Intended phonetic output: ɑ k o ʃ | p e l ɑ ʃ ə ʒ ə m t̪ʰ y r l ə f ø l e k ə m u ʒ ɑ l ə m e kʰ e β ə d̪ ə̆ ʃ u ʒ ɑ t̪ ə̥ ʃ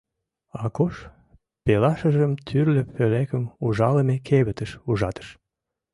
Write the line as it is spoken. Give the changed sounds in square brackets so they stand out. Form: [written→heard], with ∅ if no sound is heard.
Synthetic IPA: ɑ k o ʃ | p e l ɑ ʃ ə ʒ ə m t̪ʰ y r l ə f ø l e k ə m u ʒ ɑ l ə m e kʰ e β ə [d̪→t̪] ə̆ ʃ u ʒ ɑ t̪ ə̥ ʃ